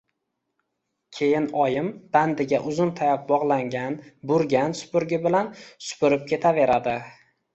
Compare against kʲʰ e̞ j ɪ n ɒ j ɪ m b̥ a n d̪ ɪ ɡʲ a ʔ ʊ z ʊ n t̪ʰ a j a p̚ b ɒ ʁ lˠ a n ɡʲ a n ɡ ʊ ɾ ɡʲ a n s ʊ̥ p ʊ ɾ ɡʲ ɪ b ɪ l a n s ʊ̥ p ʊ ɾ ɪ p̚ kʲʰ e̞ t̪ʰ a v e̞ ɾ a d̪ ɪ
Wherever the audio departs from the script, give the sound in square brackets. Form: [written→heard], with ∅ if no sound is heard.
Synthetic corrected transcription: kʲʰ e̞ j ɪ n ɒ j ɪ m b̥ a n d̪ ɪ ɡʲ a ʔ ʊ z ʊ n t̪ʰ a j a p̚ b ɒ ʁ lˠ a [n→ŋ] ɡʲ a n [ɡ→b] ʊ ɾ ɡʲ a n s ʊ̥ p ʊ ɾ ɡʲ ɪ b ɪ l a n s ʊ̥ p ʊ ɾ ɪ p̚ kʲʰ e̞ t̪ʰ a v e̞ ɾ a d̪ ɪ